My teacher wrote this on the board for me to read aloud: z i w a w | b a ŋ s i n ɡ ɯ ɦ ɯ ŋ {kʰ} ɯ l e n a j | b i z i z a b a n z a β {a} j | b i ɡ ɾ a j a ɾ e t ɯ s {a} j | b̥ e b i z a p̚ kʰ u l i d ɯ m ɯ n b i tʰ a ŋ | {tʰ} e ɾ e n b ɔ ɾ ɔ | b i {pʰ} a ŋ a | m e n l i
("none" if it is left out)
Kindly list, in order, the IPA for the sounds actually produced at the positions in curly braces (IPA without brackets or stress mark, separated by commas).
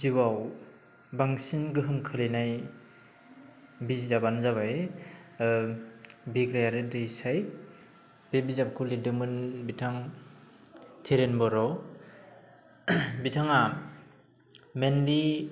kʰ, a, a, tʰ, tʰ